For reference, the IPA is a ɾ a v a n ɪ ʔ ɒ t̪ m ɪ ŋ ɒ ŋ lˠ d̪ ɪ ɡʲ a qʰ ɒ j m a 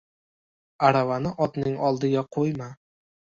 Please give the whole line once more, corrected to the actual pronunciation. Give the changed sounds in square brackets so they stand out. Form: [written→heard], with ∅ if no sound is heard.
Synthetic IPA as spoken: a ɾ a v a n ɪ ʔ ɒ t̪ [m→n] ɪ ŋ ɒ [ŋ→∅] lˠ d̪ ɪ ɡʲ a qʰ [ɒ→o] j m a